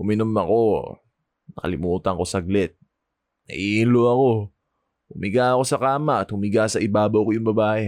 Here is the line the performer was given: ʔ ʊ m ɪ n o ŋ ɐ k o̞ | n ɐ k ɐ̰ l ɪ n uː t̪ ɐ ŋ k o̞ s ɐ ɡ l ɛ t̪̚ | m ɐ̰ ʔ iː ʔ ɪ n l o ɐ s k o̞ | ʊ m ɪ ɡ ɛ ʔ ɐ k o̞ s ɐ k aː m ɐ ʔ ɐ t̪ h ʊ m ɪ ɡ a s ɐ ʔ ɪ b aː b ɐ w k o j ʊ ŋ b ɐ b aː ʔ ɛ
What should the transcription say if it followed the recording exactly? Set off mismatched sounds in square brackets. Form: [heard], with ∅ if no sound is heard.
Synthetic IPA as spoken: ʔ ʊ m ɪ n o [m] ɐ k o̞ | n ɐ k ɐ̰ l ɪ [m] uː t̪ ɐ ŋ k o̞ s ɐ ɡ l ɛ t̪̚ | [n] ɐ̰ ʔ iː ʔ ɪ n l o ɐ [∅] k o̞ | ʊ m ɪ ɡ [a] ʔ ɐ k o̞ s ɐ k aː m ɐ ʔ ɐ t̪ h ʊ m ɪ ɡ a s ɐ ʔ ɪ b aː b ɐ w k o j ʊ ŋ b ɐ b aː ʔ ɛ